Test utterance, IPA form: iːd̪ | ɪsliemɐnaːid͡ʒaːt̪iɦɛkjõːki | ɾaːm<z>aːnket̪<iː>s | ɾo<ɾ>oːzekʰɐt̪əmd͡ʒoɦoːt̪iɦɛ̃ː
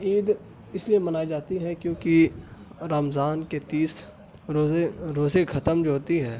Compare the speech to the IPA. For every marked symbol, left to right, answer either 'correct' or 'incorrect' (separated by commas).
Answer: correct, correct, correct